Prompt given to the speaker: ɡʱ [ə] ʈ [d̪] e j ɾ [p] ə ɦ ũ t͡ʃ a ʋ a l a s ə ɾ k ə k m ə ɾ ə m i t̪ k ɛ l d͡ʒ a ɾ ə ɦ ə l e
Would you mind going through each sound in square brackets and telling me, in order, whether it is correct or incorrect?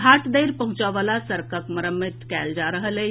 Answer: incorrect: a, correct, correct

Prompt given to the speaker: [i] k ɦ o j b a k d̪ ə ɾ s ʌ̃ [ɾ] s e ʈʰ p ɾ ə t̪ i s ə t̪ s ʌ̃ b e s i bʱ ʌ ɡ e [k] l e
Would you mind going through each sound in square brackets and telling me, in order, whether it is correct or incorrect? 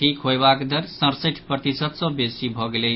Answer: correct, correct, incorrect: none

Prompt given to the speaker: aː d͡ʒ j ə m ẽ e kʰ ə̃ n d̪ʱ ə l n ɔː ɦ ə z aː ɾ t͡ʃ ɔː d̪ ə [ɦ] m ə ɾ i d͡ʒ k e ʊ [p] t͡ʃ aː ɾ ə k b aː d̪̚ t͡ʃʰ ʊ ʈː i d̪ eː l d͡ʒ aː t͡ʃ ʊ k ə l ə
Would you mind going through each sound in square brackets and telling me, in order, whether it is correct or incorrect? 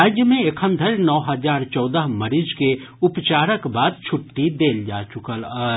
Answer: correct, correct

